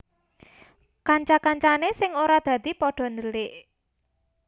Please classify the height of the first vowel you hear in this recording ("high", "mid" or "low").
low